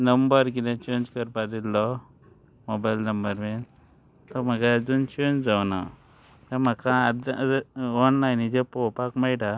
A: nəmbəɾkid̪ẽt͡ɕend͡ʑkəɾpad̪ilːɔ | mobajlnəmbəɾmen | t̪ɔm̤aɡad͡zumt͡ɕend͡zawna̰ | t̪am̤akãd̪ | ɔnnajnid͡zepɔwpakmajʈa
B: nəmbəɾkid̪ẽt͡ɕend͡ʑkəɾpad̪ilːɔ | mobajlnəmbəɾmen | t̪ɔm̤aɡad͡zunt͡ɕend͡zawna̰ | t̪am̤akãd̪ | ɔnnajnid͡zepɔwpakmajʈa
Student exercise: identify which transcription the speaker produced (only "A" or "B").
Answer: B